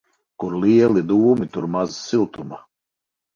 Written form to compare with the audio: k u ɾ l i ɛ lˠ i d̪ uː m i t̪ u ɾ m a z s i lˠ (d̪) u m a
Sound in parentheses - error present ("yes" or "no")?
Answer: yes